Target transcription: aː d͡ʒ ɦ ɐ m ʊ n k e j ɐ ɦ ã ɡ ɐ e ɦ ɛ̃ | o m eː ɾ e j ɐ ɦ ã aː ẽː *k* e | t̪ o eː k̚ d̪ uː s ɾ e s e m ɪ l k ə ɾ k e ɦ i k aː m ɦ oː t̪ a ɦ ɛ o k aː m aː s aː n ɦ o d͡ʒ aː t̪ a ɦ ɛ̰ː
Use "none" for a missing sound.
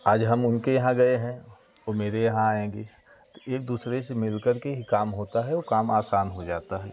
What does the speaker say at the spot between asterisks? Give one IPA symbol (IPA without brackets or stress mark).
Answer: ɡ